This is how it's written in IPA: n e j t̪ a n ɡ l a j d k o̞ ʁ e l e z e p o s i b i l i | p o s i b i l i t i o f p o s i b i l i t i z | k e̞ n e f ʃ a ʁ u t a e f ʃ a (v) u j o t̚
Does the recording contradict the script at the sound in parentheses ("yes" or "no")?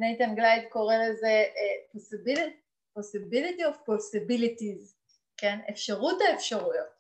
yes